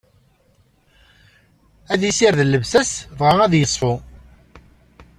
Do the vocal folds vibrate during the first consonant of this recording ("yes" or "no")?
yes